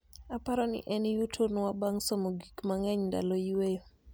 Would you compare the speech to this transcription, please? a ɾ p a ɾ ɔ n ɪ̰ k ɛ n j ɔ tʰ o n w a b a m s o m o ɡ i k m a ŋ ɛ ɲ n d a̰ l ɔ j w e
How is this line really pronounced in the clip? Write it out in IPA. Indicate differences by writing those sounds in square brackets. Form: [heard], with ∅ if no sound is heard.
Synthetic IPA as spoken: a [∅] p a ɾ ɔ n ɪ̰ [ʔ] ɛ n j [u] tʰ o n w a b a [ŋ] s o m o ɡ i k m a ŋ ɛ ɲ n d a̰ l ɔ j w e